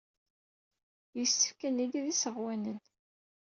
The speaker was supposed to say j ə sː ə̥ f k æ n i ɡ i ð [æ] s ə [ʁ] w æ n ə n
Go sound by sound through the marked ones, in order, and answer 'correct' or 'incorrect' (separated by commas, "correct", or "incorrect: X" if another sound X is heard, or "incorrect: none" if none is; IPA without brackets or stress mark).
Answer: incorrect: i, correct